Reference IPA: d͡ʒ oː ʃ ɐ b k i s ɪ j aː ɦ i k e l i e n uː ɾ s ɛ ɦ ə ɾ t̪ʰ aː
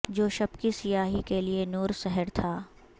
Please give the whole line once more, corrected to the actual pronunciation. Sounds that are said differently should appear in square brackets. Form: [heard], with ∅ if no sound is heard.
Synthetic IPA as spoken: d͡ʒ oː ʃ ɐ b k i s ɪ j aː ɦ i k e l i e n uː ɾ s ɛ ɦ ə ɾ t̪ʰ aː